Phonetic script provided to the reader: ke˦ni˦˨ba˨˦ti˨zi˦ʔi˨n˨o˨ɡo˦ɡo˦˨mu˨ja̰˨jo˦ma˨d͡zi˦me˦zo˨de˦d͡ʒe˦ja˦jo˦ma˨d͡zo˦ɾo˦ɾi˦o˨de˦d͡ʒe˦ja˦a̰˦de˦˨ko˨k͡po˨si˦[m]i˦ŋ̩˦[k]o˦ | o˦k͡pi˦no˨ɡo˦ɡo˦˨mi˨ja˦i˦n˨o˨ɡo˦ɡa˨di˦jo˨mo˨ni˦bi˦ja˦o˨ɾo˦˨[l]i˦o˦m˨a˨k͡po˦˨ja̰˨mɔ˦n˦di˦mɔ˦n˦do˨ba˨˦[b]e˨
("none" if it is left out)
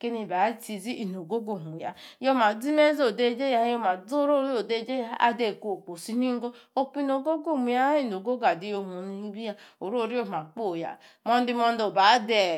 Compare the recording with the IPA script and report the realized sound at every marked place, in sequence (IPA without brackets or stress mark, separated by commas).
n, ɡ, ɾ, d